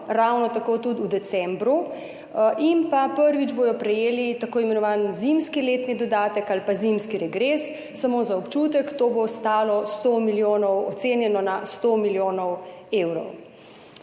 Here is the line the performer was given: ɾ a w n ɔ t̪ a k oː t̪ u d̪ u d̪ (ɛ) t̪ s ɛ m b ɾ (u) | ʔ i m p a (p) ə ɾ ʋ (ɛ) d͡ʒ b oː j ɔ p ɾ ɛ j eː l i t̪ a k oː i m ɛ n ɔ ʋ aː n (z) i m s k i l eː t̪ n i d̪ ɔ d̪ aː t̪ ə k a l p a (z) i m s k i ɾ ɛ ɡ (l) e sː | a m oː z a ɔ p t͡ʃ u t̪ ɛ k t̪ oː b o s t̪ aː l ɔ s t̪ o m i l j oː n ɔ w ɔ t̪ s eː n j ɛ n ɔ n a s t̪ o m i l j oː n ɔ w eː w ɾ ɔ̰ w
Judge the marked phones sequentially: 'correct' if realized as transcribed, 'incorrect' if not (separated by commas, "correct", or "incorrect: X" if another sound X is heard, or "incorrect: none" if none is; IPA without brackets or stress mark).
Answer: correct, correct, correct, incorrect: i, correct, correct, incorrect: ɾ